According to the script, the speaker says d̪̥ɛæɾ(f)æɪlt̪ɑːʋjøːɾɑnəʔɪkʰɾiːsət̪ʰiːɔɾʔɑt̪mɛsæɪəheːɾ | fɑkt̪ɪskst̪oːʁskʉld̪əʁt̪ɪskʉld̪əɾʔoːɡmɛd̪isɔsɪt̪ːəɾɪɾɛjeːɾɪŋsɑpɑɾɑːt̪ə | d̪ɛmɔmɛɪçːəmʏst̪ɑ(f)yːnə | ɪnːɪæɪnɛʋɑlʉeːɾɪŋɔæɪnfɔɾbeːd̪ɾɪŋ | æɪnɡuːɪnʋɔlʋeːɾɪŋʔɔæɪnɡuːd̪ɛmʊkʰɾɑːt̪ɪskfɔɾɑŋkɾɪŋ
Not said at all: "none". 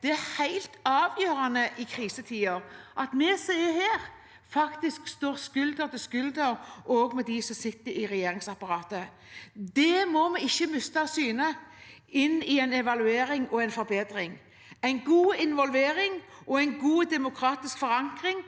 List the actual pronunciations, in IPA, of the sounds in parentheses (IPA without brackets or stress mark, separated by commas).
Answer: h, s